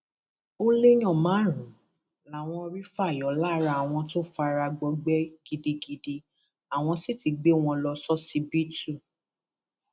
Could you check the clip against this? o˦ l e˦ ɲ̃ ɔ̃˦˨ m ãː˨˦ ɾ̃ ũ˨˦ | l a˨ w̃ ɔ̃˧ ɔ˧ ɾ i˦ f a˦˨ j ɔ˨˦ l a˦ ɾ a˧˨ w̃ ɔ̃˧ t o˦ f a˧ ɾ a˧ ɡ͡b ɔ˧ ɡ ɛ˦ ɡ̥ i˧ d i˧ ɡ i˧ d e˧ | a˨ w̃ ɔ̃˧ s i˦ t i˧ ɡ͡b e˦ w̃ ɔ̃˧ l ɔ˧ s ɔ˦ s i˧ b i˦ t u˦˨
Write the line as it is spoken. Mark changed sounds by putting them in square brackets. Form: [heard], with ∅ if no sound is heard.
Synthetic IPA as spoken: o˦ l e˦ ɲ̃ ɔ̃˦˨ m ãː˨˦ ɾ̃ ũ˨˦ | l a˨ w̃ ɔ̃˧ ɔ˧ ɾ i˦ f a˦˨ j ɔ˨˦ l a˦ ɾ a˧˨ w̃ ɔ̃˧ t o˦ f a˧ ɾ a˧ ɡ͡b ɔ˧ [ɡ͡b] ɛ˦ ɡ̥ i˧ d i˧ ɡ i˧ d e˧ | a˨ w̃ ɔ̃˧ s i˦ t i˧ ɡ͡b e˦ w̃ ɔ̃˧ l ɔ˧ s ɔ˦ s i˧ b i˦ t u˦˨